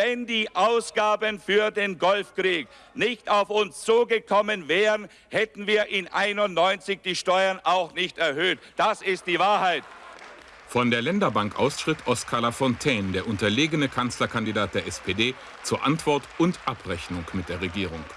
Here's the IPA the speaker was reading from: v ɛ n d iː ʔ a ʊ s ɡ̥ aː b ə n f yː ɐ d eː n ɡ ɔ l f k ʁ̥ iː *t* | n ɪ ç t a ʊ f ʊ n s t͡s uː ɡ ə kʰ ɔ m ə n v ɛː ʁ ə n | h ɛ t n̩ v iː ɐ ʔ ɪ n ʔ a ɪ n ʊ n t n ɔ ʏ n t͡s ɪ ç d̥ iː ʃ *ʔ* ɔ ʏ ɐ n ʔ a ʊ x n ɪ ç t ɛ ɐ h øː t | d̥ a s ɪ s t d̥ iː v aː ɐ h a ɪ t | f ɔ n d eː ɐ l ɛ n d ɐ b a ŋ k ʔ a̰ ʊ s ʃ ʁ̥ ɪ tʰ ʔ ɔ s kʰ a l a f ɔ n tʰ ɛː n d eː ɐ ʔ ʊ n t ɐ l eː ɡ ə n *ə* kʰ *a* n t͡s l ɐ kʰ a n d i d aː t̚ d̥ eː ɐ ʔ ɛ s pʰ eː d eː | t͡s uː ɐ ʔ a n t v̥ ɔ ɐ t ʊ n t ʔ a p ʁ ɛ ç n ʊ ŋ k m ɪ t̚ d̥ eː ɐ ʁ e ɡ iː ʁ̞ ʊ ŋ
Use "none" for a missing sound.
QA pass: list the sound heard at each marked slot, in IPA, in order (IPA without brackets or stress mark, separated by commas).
k, t, ə, a